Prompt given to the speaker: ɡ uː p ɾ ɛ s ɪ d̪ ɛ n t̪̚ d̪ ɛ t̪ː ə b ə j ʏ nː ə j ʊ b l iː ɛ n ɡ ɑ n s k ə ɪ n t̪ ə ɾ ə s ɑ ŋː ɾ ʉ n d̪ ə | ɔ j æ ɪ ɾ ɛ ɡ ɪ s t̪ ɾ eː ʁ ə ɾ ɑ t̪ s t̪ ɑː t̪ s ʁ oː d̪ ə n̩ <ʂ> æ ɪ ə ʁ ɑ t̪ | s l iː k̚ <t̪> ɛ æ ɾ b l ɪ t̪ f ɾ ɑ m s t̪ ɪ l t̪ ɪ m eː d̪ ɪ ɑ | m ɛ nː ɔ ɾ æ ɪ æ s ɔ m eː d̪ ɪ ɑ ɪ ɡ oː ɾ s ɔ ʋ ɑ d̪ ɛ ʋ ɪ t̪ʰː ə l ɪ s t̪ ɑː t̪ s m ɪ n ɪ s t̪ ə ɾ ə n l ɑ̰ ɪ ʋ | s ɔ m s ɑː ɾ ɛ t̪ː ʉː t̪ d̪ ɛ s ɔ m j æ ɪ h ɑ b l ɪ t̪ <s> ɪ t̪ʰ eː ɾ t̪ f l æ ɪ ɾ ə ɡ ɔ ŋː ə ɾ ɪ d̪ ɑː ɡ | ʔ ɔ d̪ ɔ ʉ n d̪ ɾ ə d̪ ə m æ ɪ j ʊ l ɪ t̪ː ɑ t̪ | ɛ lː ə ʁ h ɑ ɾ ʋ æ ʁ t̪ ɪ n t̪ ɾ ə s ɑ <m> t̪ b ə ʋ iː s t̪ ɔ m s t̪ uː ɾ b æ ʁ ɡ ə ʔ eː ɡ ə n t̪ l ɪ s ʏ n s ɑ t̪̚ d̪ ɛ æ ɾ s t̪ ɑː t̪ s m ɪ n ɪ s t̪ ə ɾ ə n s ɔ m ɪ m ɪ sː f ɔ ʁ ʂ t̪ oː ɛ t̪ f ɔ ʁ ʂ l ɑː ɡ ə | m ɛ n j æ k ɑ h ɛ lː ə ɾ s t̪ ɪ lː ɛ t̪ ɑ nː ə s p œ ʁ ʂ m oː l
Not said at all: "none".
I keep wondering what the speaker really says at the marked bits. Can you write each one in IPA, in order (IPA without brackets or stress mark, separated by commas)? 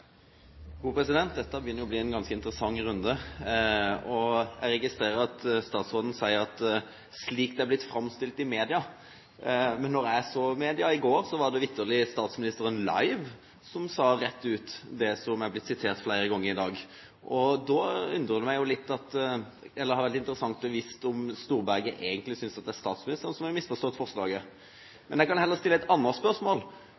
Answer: s, d̪, s, ŋ